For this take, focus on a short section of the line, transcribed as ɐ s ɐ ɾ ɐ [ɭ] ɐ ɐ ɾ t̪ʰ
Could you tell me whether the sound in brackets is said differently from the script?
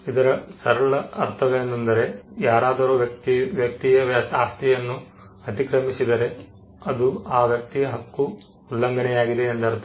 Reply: no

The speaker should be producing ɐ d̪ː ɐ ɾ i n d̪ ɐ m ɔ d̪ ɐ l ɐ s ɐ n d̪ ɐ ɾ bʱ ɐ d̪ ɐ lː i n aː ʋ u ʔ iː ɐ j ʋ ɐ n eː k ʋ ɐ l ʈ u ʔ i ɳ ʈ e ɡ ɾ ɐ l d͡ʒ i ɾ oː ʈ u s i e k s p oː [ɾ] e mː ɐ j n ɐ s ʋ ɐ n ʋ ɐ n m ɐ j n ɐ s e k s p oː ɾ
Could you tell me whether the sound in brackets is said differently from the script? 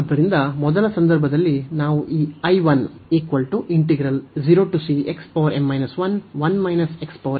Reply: no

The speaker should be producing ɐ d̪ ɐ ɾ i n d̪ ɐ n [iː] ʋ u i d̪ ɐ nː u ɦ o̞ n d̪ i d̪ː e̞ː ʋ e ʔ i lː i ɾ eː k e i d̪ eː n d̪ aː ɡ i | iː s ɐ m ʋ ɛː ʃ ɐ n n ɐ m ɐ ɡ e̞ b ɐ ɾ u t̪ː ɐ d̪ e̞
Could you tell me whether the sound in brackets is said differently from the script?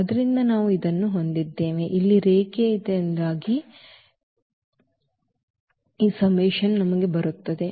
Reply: yes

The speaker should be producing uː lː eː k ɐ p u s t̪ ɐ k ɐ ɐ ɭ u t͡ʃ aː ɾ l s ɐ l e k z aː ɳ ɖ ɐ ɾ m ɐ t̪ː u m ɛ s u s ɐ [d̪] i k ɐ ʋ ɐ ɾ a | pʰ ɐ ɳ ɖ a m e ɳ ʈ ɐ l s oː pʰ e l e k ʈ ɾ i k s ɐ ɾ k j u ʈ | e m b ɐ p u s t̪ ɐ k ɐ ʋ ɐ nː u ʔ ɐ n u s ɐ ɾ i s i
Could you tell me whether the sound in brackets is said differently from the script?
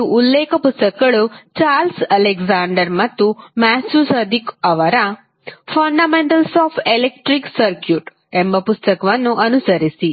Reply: no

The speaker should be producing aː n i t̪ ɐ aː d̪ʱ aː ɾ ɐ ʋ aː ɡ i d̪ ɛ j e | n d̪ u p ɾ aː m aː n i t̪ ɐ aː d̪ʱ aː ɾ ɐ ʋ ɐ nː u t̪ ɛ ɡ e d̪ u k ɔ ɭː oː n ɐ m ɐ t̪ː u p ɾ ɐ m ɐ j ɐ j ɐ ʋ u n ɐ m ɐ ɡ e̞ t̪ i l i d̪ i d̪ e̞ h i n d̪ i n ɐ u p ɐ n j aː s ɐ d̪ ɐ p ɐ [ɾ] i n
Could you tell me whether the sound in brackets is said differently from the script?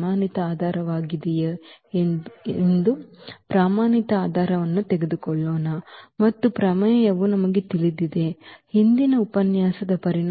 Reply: no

